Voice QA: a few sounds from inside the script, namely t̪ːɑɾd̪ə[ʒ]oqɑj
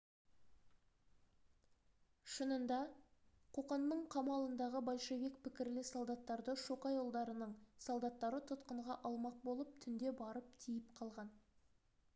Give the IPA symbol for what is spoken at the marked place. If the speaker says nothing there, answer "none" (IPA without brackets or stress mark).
ʃ